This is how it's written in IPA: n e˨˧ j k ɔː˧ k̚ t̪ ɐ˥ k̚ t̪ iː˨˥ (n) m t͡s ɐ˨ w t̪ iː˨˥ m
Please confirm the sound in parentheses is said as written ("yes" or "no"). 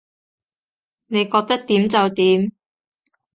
no